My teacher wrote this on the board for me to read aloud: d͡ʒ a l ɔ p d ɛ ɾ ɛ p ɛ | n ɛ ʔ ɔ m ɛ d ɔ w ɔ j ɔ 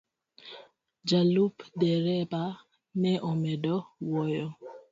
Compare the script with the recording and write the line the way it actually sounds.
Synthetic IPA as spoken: d͡ʒ a l u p d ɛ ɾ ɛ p a | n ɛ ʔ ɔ m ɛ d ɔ w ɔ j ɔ